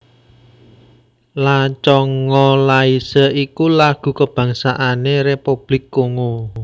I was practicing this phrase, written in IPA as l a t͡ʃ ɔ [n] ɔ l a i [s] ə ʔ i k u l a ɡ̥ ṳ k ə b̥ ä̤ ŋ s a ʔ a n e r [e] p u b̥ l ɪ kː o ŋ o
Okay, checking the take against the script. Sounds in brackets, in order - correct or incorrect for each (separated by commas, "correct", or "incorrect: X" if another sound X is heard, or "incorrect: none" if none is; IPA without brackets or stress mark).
incorrect: ŋ, correct, correct